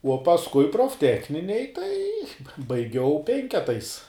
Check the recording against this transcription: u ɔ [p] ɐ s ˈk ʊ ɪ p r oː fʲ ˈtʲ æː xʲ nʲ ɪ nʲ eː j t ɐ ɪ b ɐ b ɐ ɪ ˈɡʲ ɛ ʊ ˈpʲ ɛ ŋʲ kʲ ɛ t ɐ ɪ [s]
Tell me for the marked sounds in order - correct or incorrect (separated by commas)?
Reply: correct, correct